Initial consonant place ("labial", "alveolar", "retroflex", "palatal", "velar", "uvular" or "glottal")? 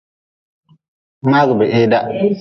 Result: labial